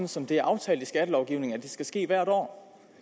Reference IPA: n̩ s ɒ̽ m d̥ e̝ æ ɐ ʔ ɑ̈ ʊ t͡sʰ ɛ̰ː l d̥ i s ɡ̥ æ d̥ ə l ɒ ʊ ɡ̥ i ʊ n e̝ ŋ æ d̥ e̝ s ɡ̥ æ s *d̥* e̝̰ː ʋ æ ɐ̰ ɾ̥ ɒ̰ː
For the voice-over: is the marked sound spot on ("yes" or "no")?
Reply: no